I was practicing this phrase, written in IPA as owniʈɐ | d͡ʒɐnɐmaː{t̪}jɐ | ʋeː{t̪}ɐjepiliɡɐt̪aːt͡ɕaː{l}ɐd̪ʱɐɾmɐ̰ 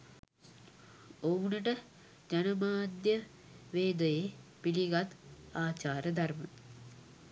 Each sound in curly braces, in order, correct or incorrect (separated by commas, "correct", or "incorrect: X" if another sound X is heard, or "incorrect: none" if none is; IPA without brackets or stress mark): incorrect: d̪, incorrect: d̪, incorrect: ɾ